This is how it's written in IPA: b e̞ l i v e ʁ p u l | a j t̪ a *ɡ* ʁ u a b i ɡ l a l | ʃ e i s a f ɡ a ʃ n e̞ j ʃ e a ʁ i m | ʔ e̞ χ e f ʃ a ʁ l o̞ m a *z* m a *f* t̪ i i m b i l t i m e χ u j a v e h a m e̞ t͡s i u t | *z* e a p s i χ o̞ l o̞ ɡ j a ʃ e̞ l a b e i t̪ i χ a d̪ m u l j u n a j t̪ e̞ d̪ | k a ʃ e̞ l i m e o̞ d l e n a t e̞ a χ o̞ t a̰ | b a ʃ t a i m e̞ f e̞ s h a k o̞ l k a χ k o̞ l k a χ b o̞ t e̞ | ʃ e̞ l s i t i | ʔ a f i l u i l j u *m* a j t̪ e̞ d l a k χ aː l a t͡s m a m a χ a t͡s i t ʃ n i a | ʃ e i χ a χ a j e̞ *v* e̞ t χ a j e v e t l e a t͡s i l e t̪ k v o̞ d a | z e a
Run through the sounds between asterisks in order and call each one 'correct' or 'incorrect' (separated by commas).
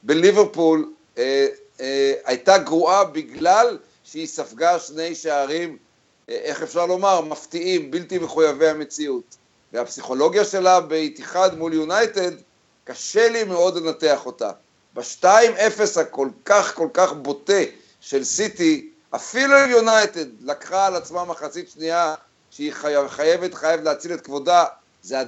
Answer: correct, incorrect, correct, incorrect, incorrect, correct